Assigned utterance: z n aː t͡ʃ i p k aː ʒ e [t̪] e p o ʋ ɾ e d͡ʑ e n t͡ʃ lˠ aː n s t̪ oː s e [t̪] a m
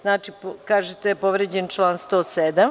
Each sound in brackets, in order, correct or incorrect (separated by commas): correct, incorrect